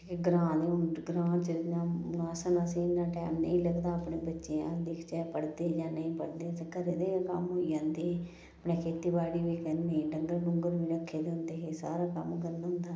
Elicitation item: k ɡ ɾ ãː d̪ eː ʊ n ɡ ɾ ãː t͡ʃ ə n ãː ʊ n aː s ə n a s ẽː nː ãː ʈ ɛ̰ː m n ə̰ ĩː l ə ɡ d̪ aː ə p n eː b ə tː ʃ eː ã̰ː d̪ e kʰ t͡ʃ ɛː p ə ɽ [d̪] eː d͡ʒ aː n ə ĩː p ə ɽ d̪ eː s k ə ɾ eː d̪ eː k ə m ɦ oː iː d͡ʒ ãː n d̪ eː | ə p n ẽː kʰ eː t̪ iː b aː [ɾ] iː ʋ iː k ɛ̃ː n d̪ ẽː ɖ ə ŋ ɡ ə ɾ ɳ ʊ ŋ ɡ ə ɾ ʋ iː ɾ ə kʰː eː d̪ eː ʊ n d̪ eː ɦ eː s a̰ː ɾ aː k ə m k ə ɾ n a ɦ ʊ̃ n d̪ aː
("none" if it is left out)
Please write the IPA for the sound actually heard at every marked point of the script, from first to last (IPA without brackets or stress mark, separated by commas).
d̪, ɽ